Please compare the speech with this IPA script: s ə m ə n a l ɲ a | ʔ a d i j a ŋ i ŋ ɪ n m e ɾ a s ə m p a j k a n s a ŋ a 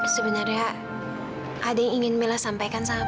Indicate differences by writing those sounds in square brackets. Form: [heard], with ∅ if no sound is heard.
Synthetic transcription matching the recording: s ə [b] ə n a [r] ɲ a | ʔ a d [a] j a ŋ i ŋ ɪ n m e [l] a s [a] m p a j k a n s a ŋ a